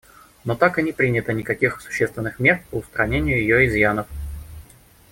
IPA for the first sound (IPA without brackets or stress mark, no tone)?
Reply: n